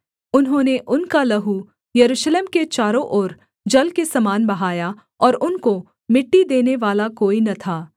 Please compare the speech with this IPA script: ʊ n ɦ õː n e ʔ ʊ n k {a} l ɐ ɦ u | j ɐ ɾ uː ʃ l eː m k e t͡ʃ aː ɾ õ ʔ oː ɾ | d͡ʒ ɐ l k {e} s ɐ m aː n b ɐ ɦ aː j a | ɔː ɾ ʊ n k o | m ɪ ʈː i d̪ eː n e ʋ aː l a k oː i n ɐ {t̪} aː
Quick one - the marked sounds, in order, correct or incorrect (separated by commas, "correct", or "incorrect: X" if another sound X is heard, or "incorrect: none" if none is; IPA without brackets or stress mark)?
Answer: correct, correct, incorrect: t̪ʰ